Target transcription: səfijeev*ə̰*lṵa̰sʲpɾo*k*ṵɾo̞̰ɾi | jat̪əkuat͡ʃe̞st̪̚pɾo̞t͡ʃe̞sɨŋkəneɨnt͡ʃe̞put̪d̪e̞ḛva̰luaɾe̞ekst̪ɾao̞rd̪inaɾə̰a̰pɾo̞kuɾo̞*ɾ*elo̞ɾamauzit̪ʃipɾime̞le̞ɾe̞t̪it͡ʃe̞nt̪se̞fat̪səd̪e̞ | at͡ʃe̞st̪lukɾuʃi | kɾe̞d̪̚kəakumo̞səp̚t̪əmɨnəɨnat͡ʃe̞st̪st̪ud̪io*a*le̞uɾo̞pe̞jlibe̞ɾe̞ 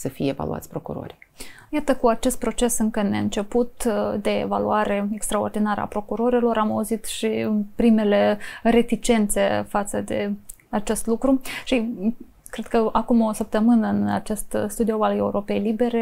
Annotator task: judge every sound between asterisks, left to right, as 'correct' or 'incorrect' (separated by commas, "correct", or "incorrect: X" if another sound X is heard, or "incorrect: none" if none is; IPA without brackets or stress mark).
incorrect: a̰, correct, correct, correct